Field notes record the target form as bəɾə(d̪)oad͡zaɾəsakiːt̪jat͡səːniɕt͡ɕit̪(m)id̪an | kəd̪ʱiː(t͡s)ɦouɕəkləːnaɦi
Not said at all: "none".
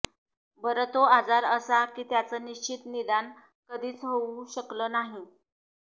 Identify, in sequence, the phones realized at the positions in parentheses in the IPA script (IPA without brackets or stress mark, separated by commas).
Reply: t̪, n, t͡s